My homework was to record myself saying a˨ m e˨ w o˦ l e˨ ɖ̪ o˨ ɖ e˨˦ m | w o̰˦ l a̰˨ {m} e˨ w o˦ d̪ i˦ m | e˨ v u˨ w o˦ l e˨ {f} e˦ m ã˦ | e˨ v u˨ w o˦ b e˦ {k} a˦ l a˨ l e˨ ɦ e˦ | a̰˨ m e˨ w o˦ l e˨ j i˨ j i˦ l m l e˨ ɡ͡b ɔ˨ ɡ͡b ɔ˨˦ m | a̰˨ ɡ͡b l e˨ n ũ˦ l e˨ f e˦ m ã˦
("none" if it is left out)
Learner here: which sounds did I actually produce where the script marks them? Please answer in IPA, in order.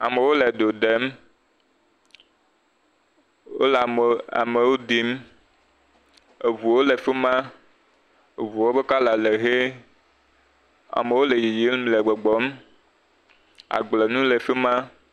m, f, k

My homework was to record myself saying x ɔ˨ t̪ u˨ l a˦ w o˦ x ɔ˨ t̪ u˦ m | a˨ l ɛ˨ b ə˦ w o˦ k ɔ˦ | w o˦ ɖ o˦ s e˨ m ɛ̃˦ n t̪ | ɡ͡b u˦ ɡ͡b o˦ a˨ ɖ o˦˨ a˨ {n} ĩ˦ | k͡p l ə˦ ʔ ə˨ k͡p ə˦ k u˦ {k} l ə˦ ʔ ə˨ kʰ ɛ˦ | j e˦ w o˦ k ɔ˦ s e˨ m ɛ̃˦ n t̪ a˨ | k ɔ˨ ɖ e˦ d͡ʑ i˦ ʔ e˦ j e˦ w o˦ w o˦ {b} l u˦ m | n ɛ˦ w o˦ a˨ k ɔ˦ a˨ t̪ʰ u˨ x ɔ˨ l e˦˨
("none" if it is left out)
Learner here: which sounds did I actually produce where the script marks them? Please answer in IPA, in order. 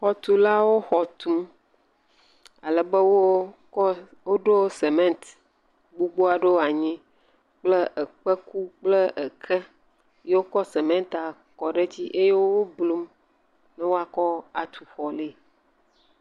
ɲ, k͡p, b

